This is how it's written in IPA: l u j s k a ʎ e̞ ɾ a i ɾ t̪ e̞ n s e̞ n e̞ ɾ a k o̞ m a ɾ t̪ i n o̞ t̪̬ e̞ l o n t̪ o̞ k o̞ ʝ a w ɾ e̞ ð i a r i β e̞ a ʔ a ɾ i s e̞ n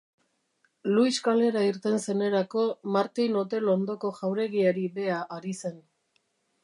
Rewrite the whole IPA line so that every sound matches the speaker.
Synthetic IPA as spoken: l u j s k a l e̞ ɾ a i ɾ t̪ e̞ n s e̞ n e̞ ɾ a k o̞ m a ɾ t̪ i n o̞ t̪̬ e̞ l o n d̪ o̞ k o̞ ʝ a w ɾ e̞ ɣ i a ɾ i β e̞ a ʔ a ɾ i s e̞ n